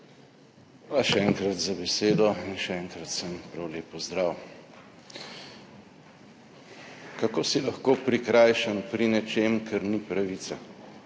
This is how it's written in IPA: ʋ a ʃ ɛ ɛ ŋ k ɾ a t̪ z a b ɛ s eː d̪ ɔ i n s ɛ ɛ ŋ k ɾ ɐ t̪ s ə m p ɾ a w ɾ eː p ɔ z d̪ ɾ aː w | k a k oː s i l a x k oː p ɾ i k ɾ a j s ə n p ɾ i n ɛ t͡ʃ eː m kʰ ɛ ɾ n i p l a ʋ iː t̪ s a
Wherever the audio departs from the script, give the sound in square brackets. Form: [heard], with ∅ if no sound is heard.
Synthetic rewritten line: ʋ a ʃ ɛ ɛ ŋ k ɾ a t̪ z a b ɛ s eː d̪ ɔ i n [ʃ] ɛ ɛ ŋ k ɾ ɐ t̪ s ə m p ɾ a w [l] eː p ɔ z d̪ ɾ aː w | k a k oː s i l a x k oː p ɾ i k ɾ a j [ʃ] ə n p ɾ i n ɛ t͡ʃ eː m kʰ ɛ ɾ n i p [ɾ] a ʋ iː t̪ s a